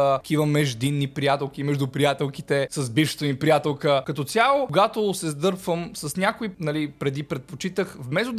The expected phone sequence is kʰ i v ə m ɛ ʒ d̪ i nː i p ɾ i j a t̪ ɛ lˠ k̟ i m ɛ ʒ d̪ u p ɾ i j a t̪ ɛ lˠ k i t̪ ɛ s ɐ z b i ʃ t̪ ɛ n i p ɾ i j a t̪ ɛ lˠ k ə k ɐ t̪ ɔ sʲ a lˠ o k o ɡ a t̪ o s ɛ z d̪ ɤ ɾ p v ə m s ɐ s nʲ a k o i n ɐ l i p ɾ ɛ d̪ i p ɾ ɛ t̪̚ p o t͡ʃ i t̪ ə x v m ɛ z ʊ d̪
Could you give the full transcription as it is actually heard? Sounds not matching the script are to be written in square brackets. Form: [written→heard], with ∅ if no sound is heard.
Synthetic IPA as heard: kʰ i v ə m ɛ ʒ d̪ i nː i p ɾ i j a t̪ ɛ lˠ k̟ i m ɛ ʒ d̪ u p ɾ i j a t̪ ɛ lˠ k i t̪ ɛ s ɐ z b i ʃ t̪ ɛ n i p ɾ i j a t̪ ɛ lˠ k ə k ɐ t̪ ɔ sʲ a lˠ o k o ɡ a t̪ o s ɛ z d̪ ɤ ɾ p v ə m s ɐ s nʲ a k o i n ɐ l i p ɾ ɛ d̪ i p ɾ ɛ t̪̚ p o t͡ʃ i t̪ ə x v m ɛ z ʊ d̪